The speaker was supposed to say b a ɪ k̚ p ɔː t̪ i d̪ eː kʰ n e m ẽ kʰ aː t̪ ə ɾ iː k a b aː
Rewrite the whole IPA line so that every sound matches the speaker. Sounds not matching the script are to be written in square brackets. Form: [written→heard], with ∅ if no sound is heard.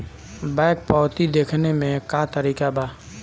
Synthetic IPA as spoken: b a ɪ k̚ p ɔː t̪ i d̪ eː kʰ n e m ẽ [kʰ→k] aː t̪ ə ɾ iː k a b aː